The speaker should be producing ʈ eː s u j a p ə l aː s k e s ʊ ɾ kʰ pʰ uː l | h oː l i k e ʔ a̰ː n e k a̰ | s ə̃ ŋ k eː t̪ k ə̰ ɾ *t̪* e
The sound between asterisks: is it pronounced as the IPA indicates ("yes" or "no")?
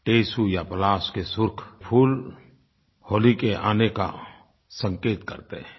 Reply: yes